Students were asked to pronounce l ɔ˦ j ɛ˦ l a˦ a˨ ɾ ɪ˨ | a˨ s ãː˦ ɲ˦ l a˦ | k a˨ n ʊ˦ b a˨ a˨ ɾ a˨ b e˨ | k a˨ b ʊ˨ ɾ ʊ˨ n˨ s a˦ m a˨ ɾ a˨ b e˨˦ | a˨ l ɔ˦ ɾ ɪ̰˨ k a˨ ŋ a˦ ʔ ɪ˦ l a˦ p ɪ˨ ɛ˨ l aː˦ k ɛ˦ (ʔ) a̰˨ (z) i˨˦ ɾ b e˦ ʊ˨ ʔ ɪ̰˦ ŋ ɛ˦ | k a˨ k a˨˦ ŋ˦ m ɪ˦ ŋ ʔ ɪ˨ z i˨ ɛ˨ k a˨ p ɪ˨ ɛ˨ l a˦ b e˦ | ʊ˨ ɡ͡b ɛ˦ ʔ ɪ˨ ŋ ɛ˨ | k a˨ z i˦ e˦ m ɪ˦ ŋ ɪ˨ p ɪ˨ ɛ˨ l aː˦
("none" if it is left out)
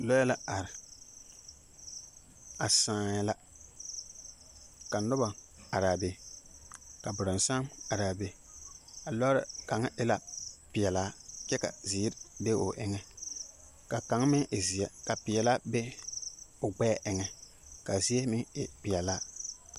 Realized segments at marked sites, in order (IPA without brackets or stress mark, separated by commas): k, z